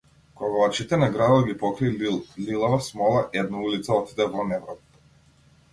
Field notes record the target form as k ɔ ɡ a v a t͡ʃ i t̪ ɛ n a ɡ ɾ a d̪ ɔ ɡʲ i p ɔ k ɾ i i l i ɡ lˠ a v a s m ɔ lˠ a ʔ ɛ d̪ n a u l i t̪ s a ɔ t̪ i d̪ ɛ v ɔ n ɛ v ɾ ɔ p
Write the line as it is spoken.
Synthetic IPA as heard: k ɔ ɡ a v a t͡ʃ i t̪ ɛ n a ɡ ɾ a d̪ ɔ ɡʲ i p ɔ k ɾ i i l i lˠ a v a s m ɔ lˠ a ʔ ɛ d̪ n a u l i t̪ s a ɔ t̪ i d̪ ɛ v ɔ n ɛ v ɾ ɔ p